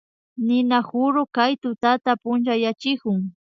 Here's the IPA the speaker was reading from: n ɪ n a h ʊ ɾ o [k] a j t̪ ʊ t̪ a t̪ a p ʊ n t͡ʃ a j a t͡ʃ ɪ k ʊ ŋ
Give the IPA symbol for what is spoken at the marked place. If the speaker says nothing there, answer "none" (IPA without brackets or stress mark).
k